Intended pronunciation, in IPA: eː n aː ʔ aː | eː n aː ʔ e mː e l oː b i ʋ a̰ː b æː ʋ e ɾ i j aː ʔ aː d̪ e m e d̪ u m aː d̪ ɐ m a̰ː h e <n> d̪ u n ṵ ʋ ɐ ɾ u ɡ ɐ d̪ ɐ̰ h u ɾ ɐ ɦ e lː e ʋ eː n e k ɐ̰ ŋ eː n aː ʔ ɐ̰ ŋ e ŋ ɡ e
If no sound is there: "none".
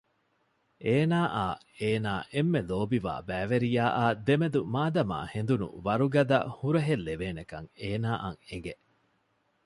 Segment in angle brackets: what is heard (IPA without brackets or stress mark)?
n